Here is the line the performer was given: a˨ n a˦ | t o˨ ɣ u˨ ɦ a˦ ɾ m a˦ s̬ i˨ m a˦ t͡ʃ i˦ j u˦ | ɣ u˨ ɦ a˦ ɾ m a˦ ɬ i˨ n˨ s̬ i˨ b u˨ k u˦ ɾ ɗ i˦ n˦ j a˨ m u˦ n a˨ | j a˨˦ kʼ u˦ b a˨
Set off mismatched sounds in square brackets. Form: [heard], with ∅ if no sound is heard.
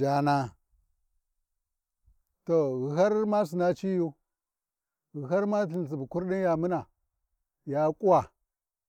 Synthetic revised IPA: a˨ n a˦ | t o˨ ɣ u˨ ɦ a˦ ɾ m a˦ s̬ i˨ [n] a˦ t͡ʃ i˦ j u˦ | ɣ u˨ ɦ a˦ ɾ m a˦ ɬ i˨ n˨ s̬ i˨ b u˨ k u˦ ɾ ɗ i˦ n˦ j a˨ m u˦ n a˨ | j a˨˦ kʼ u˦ [w] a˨

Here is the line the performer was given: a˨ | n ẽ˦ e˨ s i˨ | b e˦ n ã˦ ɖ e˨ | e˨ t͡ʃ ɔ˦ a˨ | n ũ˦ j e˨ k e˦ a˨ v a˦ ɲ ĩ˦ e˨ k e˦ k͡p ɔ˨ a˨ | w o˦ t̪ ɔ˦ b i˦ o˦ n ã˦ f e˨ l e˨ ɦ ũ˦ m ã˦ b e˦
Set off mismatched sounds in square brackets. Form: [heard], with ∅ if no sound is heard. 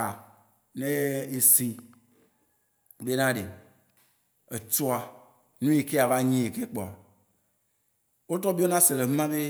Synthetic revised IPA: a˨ | n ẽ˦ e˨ s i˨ | b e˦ n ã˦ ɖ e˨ | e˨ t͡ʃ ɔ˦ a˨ | n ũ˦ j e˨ k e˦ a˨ v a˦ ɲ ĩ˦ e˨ k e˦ k͡p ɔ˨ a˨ | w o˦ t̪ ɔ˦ b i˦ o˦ n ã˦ [s] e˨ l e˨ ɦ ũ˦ m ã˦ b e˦

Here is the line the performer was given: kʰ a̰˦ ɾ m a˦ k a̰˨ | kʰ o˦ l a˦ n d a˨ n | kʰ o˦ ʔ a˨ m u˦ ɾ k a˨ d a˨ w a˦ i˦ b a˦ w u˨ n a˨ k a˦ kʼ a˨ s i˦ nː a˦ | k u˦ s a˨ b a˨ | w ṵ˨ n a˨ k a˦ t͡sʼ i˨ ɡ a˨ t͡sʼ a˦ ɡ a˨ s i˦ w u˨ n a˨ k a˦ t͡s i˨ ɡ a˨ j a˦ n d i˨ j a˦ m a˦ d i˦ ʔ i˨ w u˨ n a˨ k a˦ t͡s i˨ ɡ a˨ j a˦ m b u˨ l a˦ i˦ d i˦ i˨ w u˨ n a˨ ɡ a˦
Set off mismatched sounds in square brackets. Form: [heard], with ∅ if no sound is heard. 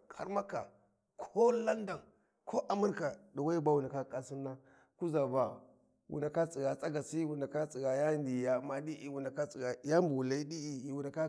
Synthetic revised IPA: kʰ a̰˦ ɾ m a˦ k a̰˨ | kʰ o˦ l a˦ n d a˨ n | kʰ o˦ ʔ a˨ m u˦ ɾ k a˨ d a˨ w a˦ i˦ b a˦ w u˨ n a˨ k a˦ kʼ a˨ s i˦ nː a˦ | k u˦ [z] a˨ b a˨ | w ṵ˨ n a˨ k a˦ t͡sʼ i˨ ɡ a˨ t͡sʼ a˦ ɡ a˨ s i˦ w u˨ n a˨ k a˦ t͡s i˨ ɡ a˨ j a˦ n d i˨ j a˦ m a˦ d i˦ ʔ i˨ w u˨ n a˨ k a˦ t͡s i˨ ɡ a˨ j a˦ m b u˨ l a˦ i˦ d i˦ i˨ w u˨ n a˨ [k] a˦

